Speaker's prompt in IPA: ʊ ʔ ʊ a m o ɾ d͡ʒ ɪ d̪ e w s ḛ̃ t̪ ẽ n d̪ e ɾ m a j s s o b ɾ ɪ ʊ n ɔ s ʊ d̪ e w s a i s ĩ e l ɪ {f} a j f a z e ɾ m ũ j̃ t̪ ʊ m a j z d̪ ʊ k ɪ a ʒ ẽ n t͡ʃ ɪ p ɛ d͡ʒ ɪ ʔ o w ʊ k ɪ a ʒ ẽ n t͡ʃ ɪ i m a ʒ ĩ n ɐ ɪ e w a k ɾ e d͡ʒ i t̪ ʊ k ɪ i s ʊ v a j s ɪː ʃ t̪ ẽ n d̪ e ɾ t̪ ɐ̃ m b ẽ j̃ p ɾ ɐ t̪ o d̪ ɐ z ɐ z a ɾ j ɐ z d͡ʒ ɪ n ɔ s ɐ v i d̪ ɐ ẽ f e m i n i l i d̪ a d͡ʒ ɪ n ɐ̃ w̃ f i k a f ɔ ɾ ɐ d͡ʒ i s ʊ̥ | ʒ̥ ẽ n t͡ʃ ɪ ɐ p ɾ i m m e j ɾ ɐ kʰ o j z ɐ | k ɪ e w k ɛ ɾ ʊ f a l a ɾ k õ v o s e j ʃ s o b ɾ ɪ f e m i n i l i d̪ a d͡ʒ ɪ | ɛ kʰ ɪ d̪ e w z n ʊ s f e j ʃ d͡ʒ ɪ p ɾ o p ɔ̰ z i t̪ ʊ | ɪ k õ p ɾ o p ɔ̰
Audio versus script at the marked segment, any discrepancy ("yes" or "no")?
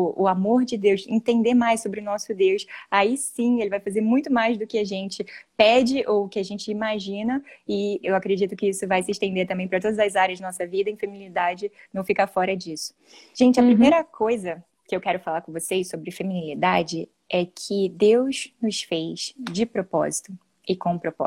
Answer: yes